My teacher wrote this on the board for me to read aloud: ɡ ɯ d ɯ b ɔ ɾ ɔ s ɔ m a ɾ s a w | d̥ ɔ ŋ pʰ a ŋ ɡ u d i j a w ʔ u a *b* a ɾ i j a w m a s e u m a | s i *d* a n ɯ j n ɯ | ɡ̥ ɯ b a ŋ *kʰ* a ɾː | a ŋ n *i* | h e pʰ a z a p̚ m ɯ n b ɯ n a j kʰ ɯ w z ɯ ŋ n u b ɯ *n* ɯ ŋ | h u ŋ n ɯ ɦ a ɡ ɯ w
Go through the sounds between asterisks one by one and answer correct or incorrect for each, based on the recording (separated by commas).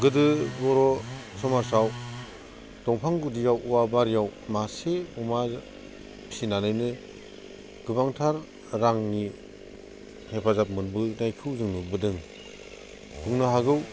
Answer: correct, incorrect, incorrect, correct, incorrect